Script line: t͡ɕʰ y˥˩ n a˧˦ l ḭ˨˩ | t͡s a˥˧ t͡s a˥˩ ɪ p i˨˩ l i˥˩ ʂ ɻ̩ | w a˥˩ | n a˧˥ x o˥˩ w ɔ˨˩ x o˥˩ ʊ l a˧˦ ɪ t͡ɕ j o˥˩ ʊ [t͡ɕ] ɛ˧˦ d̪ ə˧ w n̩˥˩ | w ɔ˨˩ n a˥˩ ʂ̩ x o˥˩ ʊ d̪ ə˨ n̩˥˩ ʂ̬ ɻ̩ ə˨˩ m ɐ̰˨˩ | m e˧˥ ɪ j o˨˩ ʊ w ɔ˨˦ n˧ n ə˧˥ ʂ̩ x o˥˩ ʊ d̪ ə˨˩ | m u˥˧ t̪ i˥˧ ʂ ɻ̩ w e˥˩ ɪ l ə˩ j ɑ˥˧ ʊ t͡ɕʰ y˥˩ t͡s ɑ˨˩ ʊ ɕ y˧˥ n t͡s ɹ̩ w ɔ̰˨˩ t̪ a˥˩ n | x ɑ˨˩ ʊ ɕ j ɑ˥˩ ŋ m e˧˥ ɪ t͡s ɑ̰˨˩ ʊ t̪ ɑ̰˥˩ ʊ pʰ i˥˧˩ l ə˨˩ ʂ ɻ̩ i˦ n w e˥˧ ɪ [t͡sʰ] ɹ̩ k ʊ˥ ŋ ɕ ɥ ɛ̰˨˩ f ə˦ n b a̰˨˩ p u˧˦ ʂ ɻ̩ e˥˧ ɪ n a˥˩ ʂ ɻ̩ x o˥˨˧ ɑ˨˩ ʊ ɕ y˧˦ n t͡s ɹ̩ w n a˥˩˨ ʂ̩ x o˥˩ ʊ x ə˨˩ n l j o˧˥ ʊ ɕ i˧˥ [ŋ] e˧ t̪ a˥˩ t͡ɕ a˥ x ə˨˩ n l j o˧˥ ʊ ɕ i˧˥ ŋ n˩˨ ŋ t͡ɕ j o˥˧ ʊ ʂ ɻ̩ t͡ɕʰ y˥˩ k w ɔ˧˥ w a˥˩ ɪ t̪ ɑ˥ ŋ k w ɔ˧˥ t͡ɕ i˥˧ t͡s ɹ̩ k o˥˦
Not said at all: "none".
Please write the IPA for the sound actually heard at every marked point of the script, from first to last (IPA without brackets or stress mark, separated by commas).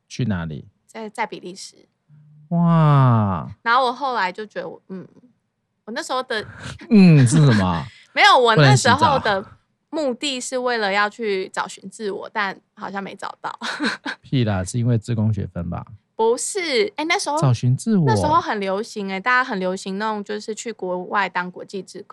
t͡ɕ, t͡s, ŋ